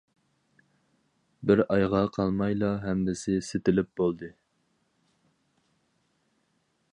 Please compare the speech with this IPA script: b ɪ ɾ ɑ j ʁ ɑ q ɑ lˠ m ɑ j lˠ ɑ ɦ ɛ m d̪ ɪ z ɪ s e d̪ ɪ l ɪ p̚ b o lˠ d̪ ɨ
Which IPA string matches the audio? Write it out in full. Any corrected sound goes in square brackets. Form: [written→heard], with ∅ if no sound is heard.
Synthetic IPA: b ɪ ɾ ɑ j ʁ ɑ [q→qʰ] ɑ lˠ m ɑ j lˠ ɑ ɦ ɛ m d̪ ɪ [z→s] ɪ s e [d̪→t̪] ɪ l ɪ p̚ b o lˠ d̪ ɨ

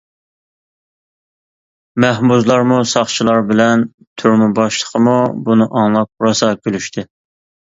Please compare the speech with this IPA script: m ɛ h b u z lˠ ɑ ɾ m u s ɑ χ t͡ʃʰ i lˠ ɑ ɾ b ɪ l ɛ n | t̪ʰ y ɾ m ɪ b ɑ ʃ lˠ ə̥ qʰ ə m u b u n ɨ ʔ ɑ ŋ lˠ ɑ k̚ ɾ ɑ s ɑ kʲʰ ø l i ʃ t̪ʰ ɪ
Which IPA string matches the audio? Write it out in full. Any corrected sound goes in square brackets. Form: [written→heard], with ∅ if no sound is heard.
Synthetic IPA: m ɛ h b u z lˠ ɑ ɾ m u s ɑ χ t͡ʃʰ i lˠ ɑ ɾ b ɪ l ɛ n | t̪ʰ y ɾ m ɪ b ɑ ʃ lˠ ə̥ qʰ ə m u b u n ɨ ʔ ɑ ŋ lˠ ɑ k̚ ɾ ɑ s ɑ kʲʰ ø l [i→y] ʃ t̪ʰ ɪ

